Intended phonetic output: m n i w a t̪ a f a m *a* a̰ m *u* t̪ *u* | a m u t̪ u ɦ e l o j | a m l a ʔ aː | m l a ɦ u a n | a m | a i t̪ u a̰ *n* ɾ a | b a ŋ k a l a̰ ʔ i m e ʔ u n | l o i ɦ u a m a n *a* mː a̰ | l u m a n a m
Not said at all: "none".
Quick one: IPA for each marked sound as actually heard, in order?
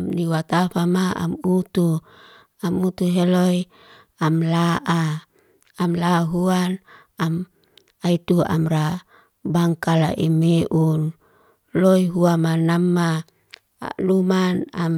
a, u, u, m, a

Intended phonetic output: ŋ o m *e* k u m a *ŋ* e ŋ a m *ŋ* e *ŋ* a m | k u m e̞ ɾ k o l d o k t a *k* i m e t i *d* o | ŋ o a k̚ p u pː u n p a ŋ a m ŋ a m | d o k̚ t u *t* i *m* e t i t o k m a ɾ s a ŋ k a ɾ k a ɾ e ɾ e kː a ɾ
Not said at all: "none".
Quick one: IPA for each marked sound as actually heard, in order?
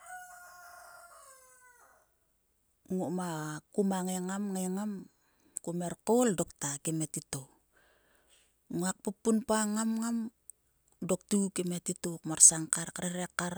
a, ŋ, ŋ, ŋ, k, t, k, m

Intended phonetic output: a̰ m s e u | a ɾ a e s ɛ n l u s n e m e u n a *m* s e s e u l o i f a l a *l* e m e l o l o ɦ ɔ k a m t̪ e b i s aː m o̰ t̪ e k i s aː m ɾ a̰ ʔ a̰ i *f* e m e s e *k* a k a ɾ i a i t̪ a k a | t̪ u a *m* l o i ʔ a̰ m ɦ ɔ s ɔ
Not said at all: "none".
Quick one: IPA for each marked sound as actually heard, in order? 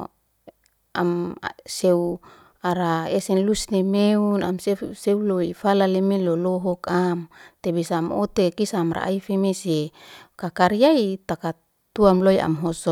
m, l, f, k, m

